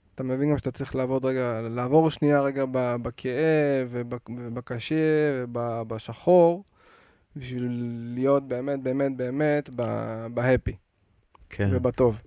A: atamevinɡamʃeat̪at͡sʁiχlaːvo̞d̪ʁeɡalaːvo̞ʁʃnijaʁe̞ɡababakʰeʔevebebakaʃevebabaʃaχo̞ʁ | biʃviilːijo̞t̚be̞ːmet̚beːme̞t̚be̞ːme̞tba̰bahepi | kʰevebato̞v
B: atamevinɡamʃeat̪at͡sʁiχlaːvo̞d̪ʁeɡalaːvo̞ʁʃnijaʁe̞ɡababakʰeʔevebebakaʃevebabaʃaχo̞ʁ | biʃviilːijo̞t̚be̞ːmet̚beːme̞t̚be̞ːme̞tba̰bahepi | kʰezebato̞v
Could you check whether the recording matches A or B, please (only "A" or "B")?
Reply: A